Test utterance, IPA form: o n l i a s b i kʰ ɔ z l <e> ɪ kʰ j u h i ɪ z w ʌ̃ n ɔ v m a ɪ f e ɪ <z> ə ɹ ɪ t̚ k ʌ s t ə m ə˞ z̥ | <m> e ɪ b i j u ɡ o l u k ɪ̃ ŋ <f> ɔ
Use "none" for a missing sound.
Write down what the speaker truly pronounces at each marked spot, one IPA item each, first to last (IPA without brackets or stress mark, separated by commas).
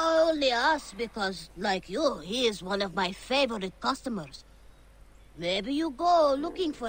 a, v, m, f